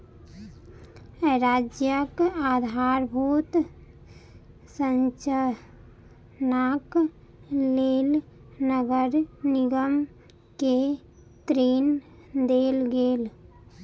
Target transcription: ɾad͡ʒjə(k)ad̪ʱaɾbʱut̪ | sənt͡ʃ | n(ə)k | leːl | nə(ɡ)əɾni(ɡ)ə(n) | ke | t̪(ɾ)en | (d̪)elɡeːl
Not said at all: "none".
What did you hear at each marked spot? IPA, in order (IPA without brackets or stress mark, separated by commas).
k, a, ɡ, ɡ, m, ɾ, d̪